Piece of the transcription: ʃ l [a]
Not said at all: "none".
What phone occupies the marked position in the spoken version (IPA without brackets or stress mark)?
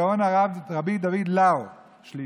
i